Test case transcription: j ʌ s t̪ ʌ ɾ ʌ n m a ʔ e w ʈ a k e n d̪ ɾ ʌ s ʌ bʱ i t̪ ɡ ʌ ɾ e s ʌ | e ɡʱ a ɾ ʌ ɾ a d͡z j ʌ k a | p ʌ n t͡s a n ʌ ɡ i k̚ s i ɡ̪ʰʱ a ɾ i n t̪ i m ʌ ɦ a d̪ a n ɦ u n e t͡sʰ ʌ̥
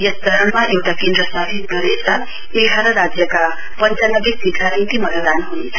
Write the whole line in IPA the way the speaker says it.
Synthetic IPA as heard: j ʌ s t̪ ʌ ɾ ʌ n m a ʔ e w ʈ a k e n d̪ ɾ ʌ s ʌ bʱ i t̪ ɡ ʌ ɾ e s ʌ | e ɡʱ a ɾ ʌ ɾ a d͡z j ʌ k a | p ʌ n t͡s a n ʌ ɡ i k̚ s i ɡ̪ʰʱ a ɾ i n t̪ i m ʌ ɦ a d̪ a n ɦ u n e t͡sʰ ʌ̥